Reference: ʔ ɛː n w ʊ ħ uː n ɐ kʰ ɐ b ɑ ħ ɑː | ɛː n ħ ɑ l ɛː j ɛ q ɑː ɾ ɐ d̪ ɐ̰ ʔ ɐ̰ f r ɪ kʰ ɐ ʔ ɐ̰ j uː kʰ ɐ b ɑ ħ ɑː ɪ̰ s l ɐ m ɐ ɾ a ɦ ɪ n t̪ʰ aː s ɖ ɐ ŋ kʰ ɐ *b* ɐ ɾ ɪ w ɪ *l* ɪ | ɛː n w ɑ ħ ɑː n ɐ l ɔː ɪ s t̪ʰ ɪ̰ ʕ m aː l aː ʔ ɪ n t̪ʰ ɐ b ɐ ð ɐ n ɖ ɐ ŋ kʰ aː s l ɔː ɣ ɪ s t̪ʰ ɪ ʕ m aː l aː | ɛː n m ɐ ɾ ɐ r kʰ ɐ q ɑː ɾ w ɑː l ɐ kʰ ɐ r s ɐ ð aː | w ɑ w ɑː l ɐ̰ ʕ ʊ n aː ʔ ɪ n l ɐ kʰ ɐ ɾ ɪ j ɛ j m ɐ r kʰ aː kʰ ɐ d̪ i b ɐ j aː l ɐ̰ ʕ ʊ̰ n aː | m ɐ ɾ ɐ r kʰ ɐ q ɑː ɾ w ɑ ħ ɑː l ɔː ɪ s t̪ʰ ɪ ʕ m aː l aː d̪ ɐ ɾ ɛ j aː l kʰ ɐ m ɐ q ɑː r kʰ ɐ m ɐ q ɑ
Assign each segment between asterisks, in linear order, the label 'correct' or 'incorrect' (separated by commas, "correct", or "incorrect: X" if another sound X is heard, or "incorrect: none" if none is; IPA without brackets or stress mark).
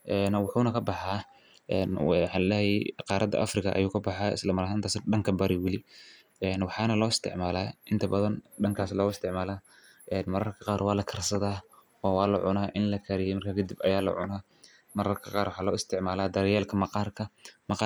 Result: correct, correct